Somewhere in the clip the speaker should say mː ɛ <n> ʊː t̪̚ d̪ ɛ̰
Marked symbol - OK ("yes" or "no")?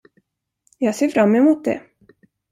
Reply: no